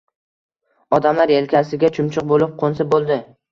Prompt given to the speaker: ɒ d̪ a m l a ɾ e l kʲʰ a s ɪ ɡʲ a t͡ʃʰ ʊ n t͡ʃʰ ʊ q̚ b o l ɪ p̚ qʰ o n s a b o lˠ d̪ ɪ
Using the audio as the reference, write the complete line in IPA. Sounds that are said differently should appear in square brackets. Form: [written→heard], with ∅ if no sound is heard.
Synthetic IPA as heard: ɒ d̪ a m l a ɾ e l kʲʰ a s ɪ ɡʲ a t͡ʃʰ ʊ [n→m] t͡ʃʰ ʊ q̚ b o l ɪ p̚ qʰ o n s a b o lˠ d̪ ɪ